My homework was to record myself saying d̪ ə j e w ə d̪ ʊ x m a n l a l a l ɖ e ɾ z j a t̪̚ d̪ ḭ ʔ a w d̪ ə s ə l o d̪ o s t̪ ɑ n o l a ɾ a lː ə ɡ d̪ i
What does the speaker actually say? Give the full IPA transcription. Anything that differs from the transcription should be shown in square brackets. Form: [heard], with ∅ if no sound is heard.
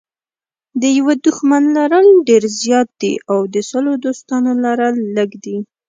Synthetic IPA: d̪ ə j [a] w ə d̪ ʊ x m a n l a [ɾ] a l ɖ e ɾ z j [ɑ] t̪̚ d̪ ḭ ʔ a w d̪ ə s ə l o d̪ o s t̪ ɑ n o l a ɾ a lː ə ɡ d̪ i